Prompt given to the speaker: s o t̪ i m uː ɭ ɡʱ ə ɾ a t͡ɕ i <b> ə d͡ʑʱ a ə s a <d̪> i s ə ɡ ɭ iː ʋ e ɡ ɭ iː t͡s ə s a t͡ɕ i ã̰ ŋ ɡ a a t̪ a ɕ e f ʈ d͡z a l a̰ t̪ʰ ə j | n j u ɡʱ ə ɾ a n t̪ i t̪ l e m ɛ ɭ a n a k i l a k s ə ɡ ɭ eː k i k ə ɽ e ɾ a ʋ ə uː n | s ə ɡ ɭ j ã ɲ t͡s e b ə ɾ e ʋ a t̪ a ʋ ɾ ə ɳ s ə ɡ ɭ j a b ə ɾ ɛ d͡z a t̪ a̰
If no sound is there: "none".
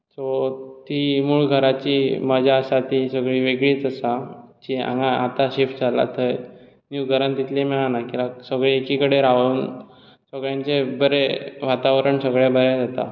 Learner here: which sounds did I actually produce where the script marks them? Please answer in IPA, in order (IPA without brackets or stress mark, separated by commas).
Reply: m, t̪